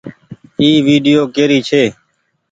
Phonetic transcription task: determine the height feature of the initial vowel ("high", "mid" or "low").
high